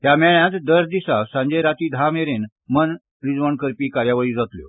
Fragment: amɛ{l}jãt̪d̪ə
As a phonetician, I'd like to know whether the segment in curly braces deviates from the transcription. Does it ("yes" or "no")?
yes